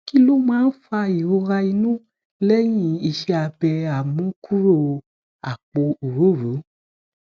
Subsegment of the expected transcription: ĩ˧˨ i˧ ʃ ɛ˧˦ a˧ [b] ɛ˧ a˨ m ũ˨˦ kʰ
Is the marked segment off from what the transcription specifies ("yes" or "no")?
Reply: no